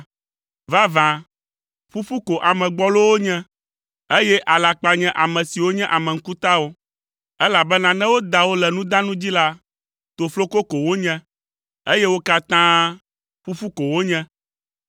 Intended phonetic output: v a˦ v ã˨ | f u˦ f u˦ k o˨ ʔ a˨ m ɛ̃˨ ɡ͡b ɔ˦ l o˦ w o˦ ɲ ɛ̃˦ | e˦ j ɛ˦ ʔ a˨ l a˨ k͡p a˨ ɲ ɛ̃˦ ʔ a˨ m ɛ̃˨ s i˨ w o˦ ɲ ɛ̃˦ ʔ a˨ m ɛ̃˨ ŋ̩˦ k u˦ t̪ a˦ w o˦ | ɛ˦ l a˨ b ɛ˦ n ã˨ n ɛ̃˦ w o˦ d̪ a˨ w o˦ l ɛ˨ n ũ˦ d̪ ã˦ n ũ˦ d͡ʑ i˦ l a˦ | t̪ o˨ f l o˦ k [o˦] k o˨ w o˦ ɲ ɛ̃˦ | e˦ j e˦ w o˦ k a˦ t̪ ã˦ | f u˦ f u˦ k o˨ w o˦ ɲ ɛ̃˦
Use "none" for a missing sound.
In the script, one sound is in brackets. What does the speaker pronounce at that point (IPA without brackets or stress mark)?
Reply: o˦